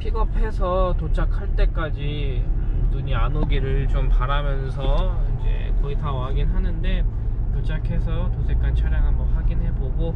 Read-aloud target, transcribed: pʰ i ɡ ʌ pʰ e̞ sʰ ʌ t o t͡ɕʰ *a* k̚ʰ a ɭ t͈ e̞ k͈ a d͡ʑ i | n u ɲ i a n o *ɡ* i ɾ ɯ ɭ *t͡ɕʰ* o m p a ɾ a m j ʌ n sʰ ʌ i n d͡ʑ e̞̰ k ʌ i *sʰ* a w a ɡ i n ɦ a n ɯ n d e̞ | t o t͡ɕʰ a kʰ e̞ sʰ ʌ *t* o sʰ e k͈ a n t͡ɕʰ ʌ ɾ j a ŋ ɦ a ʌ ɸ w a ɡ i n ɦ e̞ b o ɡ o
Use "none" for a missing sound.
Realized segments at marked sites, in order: a, ɡ, t͡ɕ, tʰ, t

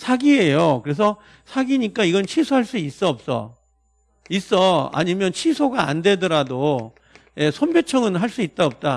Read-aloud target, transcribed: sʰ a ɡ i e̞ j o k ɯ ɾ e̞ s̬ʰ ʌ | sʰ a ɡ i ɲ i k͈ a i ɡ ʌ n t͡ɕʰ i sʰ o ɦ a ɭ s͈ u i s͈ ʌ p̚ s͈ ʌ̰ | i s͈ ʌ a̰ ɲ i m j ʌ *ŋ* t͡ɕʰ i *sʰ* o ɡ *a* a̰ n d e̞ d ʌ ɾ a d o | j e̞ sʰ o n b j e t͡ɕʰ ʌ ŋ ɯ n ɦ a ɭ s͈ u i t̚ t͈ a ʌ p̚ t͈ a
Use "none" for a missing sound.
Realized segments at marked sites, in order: n, sʰ, a

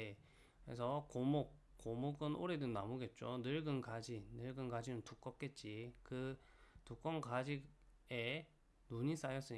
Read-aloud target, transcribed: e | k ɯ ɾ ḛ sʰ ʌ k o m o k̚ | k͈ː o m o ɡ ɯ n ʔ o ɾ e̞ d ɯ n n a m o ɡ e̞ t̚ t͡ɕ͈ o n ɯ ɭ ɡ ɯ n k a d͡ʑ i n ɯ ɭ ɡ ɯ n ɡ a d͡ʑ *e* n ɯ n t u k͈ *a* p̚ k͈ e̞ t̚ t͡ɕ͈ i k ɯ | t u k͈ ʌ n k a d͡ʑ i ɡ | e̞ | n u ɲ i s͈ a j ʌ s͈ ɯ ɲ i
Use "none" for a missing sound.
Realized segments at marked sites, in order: i, ʌ

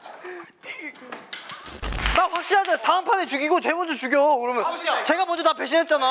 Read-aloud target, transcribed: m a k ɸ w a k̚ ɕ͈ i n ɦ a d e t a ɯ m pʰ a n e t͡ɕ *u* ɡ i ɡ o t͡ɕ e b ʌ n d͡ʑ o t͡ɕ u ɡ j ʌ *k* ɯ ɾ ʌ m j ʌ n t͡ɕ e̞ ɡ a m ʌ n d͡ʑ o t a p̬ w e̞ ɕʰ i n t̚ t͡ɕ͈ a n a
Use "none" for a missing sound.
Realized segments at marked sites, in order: u, k

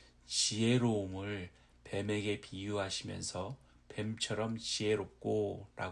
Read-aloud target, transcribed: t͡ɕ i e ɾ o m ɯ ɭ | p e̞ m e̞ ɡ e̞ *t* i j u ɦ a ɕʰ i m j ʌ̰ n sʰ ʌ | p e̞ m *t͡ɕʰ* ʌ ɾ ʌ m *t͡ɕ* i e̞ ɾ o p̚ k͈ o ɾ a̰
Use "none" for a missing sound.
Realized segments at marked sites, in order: p, t͡ɕʰ, t͡ɕ

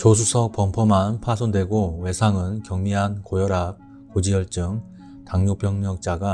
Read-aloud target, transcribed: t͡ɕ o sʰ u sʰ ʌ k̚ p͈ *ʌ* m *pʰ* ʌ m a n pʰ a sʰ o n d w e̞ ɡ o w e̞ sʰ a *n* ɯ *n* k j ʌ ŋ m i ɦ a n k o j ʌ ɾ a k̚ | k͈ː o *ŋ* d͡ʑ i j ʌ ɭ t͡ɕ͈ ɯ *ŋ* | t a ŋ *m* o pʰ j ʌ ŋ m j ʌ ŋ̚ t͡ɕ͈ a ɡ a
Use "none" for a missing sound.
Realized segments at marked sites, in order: ʌ, pʰ, ŋ, n, none, ŋ, ɲ

